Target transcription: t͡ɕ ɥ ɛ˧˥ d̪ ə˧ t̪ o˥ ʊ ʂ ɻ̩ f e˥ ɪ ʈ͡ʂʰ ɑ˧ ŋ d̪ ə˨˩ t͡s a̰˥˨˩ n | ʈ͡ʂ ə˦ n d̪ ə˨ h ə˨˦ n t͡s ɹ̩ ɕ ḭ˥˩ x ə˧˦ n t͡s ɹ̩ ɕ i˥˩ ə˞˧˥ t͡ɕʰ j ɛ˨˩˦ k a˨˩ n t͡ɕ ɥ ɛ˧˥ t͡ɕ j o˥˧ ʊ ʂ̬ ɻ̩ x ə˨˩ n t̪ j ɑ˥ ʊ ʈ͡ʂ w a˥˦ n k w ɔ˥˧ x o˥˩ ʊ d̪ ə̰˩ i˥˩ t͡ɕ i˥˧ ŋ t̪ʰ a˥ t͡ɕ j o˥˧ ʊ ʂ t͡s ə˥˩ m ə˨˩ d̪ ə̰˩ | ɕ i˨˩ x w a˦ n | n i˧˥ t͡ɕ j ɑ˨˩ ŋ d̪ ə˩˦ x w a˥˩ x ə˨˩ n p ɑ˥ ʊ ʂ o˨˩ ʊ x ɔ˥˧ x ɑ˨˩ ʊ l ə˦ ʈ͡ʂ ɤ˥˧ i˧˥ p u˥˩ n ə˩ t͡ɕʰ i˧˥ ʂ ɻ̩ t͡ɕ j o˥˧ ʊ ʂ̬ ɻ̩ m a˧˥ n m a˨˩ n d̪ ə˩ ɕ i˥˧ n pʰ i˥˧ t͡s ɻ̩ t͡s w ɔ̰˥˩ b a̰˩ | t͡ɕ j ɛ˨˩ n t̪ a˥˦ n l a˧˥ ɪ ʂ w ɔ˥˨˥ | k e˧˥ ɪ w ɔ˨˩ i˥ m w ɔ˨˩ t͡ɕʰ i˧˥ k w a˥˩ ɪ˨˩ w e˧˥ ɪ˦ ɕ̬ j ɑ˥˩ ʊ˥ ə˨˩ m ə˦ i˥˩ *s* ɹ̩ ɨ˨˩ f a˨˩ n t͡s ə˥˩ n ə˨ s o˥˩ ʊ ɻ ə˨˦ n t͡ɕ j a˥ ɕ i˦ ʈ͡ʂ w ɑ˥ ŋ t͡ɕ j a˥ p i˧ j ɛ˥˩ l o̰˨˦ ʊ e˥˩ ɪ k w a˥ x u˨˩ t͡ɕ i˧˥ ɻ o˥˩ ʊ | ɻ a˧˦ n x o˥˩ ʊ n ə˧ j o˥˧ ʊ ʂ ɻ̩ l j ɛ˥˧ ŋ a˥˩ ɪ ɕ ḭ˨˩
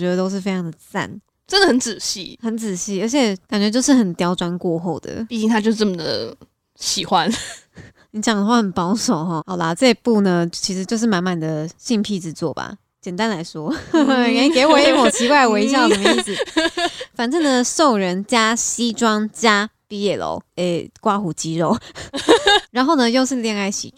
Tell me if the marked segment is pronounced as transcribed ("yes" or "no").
yes